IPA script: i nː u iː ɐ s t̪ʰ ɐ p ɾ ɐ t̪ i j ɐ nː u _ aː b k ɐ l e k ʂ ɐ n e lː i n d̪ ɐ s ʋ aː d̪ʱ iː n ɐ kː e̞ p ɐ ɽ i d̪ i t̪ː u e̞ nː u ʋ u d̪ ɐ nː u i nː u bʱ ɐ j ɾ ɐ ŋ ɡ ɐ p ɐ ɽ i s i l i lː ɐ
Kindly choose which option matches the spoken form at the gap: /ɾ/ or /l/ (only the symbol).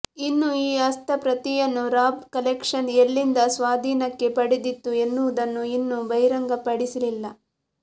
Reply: ɾ